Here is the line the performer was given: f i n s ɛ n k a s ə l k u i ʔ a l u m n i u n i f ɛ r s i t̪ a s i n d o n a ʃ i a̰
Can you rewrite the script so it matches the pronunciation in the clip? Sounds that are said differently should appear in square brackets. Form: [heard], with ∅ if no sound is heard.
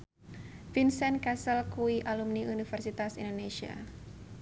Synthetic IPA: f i n s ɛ n k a s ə l k u i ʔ a l u m n i u n i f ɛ r s i t̪ a s i n d o n [e] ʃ i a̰